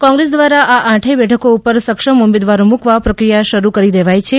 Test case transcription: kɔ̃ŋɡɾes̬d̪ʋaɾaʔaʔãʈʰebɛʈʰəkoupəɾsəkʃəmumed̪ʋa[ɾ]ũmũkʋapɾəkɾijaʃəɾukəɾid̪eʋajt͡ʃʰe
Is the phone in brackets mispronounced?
no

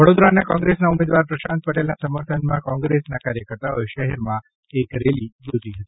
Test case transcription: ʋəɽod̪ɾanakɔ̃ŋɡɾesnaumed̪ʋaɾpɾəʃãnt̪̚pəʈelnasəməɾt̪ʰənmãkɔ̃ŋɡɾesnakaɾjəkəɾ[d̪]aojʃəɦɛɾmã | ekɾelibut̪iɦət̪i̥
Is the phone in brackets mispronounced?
yes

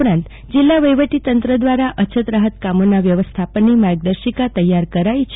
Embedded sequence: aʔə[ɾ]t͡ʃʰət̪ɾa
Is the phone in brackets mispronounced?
yes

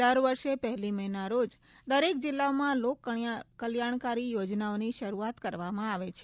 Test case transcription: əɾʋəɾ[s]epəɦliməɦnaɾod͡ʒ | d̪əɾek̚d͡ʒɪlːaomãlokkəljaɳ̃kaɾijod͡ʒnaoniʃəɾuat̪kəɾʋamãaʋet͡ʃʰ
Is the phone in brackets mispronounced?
yes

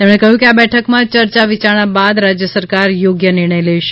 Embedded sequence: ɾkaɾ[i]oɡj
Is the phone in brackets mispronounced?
yes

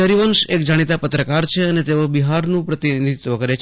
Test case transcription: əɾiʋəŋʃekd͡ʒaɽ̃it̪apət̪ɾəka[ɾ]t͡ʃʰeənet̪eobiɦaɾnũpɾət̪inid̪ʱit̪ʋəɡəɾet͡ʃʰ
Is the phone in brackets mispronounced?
no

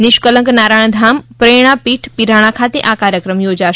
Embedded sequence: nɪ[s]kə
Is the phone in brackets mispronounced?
yes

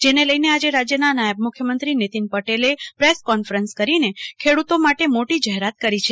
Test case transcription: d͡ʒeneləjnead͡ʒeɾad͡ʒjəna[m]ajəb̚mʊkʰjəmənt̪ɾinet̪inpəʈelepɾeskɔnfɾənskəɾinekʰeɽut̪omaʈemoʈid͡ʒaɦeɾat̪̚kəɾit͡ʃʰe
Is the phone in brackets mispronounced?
yes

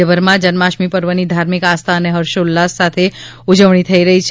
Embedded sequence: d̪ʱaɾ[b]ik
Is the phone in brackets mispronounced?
yes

